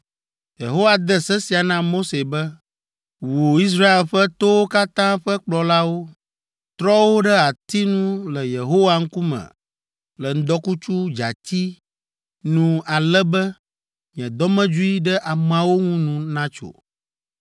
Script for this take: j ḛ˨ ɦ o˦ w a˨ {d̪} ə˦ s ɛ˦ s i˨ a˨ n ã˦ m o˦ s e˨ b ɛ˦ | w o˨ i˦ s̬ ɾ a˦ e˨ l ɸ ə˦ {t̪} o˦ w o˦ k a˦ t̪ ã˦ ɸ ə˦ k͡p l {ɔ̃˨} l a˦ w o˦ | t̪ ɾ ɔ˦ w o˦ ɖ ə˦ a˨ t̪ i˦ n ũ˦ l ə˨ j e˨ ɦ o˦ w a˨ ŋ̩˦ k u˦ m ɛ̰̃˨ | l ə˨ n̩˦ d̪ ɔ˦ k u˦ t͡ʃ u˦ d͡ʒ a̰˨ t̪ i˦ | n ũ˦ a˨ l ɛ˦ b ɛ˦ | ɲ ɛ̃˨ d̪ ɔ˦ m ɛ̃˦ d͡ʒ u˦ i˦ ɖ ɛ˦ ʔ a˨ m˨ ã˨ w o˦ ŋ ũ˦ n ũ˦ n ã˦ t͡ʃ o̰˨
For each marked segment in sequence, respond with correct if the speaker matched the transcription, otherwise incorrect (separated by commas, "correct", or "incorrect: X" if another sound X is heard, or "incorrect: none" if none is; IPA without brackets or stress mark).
correct, correct, incorrect: ɔ˨